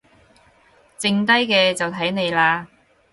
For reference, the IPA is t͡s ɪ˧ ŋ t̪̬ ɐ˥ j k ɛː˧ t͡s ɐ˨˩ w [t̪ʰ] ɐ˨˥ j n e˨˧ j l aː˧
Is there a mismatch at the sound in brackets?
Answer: no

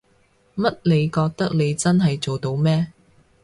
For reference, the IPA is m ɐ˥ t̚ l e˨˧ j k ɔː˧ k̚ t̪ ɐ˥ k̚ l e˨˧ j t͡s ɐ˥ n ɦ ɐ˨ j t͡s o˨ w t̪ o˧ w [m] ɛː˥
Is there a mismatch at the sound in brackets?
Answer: no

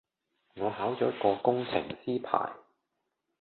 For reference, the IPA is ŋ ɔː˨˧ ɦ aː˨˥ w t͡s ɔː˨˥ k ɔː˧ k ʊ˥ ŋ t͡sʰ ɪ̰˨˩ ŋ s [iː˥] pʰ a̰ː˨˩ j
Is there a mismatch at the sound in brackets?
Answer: no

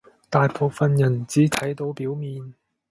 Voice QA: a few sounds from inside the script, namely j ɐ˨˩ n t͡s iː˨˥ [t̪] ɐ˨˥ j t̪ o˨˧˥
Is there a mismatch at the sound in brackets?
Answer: yes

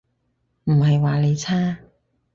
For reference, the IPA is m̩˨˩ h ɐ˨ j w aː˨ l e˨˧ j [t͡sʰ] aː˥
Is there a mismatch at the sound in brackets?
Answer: no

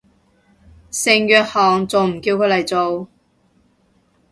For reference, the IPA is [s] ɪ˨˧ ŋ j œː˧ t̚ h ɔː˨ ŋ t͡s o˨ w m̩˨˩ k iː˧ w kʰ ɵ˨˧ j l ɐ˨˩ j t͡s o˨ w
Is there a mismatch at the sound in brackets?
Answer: no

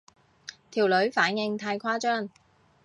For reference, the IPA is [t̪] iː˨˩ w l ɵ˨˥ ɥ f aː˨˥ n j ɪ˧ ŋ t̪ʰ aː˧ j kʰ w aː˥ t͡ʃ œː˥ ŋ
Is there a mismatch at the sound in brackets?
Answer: yes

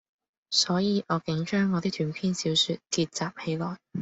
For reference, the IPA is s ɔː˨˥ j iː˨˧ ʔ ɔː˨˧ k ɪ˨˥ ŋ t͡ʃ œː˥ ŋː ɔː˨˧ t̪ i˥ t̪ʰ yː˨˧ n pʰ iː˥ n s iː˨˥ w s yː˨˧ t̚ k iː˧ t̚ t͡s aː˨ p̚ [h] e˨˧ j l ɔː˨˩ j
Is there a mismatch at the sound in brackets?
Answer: no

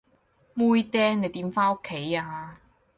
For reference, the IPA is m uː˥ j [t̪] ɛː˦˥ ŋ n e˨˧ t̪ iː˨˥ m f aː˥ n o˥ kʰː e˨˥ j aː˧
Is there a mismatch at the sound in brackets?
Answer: no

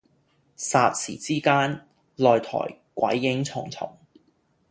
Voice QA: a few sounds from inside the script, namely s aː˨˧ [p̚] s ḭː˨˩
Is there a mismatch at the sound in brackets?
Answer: yes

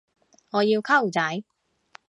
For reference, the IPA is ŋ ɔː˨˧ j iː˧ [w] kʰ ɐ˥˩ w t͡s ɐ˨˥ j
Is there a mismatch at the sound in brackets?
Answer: no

